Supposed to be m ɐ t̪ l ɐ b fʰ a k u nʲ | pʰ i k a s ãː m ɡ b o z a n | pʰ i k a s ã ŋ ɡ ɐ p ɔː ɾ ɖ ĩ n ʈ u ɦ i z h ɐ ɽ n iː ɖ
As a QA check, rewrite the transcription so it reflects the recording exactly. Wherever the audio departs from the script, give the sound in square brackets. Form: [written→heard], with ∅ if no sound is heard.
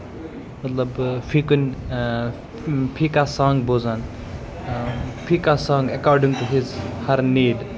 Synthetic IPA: m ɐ t̪ l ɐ b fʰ [a→i] k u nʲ | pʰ i k a s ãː [m→ŋ] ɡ b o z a n | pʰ i k a s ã ŋ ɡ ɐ [p→k] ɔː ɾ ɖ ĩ [n→ŋ] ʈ u ɦ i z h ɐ [ɽ→ɾ] n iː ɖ